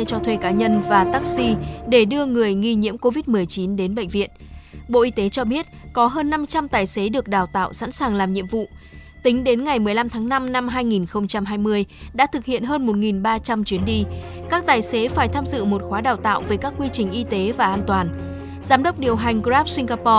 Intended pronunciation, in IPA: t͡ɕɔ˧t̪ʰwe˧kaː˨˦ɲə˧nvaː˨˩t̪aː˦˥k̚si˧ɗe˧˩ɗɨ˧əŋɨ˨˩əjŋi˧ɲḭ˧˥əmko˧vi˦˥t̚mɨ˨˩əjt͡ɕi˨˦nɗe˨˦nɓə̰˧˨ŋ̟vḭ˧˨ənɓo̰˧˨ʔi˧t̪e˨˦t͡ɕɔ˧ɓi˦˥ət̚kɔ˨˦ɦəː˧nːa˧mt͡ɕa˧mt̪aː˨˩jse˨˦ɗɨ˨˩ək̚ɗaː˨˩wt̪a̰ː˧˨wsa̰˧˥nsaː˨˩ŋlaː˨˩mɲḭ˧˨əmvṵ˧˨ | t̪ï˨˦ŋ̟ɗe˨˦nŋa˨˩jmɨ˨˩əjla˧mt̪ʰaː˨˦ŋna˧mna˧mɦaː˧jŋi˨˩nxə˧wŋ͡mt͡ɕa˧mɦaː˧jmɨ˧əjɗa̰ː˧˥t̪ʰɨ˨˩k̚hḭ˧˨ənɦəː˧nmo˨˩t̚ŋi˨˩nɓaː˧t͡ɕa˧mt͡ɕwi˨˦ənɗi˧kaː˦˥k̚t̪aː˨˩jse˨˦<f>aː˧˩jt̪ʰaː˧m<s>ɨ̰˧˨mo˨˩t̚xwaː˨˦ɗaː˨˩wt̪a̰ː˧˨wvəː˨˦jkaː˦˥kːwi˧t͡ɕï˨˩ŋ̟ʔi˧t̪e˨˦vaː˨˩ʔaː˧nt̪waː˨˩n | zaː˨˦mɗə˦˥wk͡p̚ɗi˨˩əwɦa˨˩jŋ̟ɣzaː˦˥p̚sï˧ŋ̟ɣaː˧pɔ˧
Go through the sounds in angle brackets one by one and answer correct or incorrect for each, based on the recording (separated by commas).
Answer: correct, incorrect